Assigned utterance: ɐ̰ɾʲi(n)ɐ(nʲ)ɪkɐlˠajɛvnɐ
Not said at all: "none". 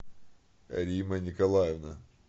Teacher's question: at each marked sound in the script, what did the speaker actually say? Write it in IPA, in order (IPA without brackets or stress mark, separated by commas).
m, nʲ